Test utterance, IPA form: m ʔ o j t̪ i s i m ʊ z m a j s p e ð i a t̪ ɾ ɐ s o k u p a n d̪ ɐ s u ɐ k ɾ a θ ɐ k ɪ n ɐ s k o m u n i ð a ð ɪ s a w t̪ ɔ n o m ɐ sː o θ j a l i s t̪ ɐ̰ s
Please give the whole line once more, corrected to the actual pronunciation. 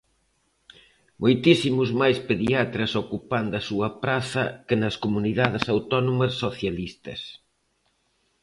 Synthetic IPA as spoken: m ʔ o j t̪ i s i m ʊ z m a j s p e ð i a t̪ ɾ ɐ s o k u p a n d̪ ɐ s u ɐ p ɾ a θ ɐ k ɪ n ɐ s k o m u n i ð a ð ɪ s a w t̪ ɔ n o m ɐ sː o θ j a l i s t̪ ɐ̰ s